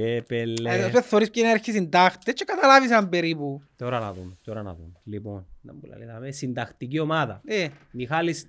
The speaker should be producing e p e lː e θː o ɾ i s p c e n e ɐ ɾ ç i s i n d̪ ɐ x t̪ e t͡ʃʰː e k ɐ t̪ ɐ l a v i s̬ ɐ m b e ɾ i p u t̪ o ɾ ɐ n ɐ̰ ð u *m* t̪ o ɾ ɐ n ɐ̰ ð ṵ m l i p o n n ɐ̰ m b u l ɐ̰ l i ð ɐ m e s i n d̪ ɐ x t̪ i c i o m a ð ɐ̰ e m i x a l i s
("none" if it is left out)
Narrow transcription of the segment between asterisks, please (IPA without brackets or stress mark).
m